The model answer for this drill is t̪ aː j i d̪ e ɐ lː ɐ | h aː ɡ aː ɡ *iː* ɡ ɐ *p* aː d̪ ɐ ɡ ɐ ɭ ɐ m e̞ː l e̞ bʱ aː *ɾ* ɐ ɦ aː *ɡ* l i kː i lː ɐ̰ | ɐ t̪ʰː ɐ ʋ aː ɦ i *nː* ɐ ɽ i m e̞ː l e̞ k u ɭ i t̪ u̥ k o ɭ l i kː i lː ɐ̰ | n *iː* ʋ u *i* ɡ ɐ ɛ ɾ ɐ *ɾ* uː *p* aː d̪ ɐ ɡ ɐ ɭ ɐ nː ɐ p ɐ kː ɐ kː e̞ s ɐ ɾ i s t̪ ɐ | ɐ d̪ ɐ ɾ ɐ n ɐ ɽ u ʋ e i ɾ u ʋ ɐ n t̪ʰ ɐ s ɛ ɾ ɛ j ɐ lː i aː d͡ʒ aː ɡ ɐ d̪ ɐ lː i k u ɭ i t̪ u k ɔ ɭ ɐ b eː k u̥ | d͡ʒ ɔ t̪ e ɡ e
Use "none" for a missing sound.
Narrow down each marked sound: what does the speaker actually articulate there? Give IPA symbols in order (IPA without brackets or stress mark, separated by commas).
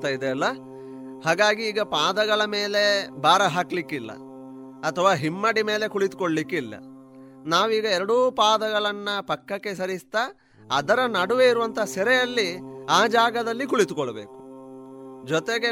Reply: iː, p, ɾ, k, mː, aː, iː, ɽ, p